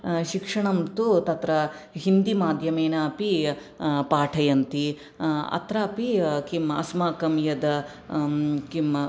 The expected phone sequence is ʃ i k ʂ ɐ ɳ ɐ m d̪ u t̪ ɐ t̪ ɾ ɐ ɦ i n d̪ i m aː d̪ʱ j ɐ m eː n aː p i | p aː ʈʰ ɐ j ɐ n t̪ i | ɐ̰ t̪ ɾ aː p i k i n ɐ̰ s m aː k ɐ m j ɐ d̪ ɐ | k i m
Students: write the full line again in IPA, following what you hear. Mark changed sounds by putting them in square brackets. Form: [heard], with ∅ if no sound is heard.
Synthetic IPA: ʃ i k ʂ ɐ ɳ ɐ m [t̪] u t̪ ɐ t̪ ɾ ɐ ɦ i n d̪ i m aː d̪ʱ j ɐ m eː n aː p i | p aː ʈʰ ɐ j ɐ n t̪ i | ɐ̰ t̪ ɾ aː p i k i [m] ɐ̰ s m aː k ɐ m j ɐ d̪ ɐ | k i m